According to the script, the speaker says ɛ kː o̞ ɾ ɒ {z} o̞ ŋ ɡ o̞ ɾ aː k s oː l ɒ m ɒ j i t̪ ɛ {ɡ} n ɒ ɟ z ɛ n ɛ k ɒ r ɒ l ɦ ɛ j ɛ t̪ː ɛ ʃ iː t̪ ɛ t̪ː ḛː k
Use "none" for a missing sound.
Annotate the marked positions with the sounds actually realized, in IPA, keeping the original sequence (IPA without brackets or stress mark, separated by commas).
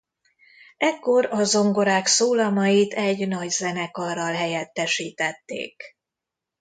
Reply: z, ɟ